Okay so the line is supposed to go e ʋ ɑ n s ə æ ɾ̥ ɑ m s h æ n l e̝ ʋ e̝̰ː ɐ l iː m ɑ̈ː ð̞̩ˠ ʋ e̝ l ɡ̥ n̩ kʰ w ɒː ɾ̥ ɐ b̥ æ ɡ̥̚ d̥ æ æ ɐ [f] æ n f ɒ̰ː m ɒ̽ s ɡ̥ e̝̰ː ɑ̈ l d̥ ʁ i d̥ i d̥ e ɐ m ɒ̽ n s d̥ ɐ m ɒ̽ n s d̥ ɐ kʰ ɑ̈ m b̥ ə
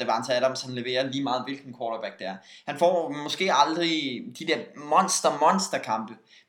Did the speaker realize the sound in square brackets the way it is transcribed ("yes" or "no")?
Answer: no